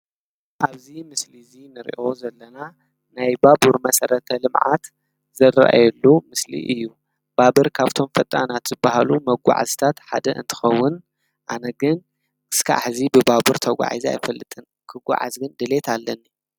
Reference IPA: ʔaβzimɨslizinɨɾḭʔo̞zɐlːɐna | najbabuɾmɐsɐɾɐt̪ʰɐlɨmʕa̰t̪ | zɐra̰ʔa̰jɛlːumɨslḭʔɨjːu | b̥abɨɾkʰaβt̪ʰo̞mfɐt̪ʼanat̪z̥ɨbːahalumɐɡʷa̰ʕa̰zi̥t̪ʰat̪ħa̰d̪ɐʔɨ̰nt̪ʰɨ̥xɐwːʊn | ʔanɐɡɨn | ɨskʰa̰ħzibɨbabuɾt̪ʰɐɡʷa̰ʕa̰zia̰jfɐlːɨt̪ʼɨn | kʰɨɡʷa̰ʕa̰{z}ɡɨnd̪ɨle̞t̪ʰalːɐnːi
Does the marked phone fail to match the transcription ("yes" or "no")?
no